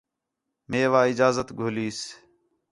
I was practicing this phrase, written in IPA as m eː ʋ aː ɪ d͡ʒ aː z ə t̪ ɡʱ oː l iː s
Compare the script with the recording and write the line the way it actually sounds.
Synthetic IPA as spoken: m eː ʋ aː ɪ d͡ʒ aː z ə t̪ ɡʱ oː l iː s